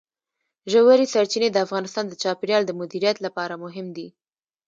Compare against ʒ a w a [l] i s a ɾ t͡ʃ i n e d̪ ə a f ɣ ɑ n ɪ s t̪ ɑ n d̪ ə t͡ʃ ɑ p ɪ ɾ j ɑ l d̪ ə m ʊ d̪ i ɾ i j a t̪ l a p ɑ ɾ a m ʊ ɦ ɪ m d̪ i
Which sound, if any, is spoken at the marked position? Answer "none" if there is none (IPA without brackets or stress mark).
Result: ɾ